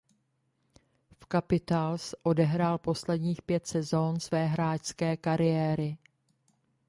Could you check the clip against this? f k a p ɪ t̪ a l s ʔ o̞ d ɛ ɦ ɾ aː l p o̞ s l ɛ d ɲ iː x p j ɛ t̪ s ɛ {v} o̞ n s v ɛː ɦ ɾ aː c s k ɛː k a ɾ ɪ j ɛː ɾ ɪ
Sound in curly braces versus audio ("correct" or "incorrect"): incorrect